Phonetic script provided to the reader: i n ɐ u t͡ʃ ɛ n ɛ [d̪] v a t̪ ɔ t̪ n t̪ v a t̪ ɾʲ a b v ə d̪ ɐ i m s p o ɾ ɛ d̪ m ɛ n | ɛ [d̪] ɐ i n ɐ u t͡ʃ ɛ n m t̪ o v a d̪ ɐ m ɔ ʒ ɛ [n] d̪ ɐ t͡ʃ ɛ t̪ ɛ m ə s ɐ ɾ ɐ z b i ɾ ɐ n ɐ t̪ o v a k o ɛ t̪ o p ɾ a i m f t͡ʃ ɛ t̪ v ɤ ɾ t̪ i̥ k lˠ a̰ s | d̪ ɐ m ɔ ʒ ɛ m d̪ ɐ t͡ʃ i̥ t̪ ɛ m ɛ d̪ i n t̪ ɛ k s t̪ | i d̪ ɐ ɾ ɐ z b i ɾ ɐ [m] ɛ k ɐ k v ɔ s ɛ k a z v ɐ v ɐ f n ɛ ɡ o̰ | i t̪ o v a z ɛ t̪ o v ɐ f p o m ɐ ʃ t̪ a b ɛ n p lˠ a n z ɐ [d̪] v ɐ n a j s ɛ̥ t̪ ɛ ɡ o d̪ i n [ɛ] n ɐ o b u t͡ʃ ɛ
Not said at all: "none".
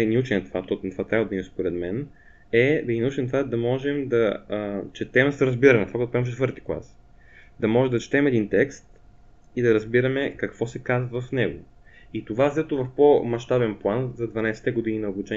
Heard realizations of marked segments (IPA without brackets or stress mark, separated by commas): t̪, d̪, m, m, d̪, i